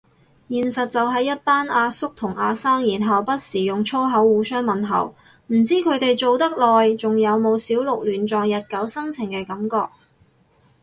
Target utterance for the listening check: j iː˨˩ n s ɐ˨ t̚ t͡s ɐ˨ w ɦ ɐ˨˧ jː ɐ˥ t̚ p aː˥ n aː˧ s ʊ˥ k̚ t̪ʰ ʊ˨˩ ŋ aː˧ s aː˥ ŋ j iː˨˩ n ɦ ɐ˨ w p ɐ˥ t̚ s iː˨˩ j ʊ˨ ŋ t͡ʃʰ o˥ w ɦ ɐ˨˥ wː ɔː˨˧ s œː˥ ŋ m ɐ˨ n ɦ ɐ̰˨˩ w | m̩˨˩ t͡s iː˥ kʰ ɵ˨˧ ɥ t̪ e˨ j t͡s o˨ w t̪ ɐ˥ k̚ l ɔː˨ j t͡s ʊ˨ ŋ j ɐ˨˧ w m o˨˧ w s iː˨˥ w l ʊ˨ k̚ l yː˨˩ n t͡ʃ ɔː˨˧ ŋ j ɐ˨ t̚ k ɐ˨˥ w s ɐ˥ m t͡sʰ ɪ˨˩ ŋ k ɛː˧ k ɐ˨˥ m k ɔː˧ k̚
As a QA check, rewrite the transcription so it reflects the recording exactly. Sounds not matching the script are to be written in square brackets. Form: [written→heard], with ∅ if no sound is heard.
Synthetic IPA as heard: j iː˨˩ n s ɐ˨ t̚ t͡s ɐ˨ w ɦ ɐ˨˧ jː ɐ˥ t̚ p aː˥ n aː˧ s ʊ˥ k̚ t̪ʰ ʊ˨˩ ŋ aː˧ s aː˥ ŋ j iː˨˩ n ɦ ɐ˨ w p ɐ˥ t̚ s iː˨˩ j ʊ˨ ŋ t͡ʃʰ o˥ w ɦ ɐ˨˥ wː [ɔː˨˧→uː˨˧] s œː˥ ŋ m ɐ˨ n ɦ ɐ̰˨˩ w | m̩˨˩ t͡s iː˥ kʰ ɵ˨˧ ɥ t̪ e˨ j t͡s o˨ w t̪ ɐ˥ k̚ l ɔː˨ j t͡s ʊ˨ ŋ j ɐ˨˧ w m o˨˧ w s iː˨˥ w l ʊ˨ k̚ l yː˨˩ n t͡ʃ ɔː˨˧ ŋ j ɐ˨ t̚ k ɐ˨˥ w s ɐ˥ [m→ŋ] t͡sʰ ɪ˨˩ ŋ k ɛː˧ k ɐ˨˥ m k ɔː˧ k̚